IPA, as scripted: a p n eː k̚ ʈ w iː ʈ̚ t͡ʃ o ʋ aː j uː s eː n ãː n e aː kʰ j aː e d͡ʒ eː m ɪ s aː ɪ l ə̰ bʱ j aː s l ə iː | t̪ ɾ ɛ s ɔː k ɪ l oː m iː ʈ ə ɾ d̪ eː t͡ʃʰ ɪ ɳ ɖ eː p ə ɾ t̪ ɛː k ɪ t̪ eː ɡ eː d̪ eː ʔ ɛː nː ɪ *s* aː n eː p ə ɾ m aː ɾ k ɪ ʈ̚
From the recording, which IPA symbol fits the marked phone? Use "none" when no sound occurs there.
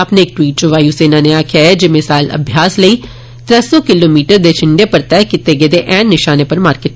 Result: ʃ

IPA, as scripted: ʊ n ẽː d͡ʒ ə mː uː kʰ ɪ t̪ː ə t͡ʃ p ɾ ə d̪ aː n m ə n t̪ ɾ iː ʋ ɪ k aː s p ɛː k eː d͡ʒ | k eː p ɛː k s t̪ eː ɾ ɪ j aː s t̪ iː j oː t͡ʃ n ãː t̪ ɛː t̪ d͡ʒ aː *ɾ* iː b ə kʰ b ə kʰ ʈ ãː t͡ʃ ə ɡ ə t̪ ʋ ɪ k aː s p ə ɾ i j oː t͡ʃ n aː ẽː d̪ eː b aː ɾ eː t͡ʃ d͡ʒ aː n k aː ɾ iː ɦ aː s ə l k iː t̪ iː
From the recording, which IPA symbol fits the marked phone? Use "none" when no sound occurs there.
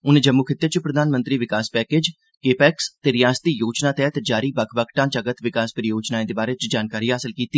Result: ɾ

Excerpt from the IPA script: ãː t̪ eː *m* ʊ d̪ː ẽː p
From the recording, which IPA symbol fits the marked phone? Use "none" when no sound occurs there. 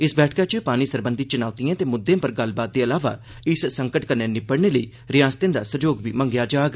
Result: m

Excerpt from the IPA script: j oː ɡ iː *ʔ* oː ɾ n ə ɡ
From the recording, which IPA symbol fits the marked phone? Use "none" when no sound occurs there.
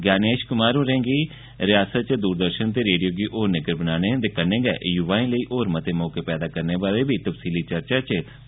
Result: ʔ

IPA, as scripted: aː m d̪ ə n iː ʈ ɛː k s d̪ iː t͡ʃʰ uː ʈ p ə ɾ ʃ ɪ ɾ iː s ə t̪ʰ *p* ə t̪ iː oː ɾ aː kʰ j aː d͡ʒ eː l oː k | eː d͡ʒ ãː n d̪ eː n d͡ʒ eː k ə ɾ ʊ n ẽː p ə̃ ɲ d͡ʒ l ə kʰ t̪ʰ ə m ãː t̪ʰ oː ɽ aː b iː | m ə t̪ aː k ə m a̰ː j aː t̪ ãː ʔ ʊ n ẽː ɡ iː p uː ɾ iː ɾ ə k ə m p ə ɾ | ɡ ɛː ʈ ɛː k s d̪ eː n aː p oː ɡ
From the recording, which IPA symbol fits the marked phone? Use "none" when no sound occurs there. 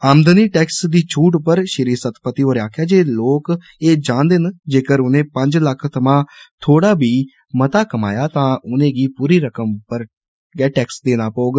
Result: p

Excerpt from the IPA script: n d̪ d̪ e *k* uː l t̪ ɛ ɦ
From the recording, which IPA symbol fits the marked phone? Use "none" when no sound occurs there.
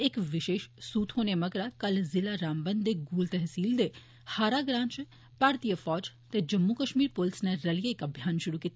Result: ɡ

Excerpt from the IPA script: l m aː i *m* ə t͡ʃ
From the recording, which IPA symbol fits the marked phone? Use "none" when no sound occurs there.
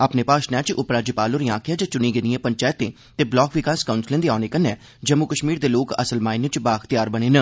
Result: n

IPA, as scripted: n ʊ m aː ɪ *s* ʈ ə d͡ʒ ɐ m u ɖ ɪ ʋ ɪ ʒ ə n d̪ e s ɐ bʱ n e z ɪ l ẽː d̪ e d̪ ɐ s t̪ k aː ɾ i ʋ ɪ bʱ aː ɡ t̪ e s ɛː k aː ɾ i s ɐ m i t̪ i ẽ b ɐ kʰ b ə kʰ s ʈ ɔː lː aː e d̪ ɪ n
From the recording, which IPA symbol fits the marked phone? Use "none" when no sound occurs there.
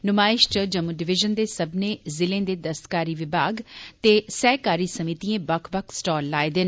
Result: ʃ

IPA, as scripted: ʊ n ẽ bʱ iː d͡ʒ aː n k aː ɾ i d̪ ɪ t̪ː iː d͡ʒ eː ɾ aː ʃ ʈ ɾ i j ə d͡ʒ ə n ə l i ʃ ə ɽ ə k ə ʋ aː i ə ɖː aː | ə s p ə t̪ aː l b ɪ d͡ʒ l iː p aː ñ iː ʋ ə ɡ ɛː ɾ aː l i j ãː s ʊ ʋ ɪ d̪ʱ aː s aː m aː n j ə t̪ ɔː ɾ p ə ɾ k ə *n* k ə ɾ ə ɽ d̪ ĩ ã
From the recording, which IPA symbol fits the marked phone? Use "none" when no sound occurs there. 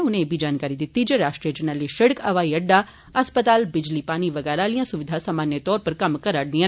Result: m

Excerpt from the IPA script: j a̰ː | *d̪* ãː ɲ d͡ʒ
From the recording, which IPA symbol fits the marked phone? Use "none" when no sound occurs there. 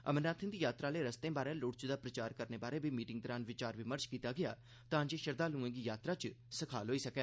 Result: t̪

